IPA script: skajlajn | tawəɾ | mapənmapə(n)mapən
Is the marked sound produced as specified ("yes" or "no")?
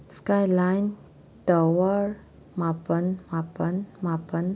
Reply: yes